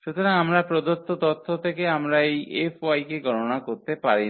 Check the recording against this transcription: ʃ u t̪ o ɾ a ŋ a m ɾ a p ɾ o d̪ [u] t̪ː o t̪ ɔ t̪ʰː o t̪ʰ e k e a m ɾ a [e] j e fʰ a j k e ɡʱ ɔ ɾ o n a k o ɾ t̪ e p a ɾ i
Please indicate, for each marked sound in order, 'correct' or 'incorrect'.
incorrect: o, correct

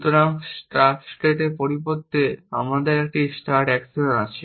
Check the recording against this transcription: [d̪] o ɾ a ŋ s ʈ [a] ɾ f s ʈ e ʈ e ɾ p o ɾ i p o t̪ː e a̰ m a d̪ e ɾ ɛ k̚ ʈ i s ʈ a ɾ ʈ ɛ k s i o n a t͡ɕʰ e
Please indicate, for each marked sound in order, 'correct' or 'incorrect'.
incorrect: t̪, correct

